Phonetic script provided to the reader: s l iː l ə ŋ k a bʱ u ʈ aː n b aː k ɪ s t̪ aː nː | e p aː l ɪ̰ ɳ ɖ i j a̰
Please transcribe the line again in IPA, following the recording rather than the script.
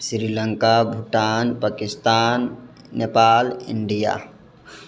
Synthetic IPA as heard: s ɾ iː l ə ŋ k a bʱ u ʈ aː n p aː k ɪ s t̪ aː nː | e p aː l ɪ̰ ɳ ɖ i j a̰